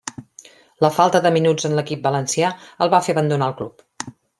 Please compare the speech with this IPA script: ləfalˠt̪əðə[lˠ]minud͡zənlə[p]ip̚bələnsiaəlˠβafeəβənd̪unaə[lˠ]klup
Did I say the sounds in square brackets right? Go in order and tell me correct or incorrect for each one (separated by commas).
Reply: incorrect, incorrect, correct